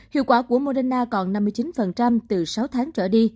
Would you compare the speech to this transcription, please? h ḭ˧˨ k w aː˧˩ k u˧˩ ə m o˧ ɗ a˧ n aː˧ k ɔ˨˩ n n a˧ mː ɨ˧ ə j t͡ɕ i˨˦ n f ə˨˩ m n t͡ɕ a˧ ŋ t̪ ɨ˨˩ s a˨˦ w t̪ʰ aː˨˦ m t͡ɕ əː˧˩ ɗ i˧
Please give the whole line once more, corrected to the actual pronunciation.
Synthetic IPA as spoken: h ḭ˧˨ k w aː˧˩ k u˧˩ ə m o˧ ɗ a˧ n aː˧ k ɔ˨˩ n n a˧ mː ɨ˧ ə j t͡ɕ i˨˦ n f ə˨˩ n t͡ɕ a˧ m t̪ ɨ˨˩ s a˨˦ w t̪ʰ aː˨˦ ŋ t͡ɕ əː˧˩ ɗ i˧